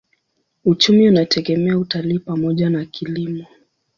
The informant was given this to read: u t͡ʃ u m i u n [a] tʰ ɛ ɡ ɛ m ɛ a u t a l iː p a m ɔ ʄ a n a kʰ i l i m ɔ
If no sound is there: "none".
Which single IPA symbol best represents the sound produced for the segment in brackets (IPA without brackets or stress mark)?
a